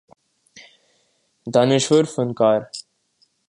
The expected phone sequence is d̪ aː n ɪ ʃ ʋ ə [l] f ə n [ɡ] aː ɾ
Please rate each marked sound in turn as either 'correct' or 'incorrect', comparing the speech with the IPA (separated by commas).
incorrect, incorrect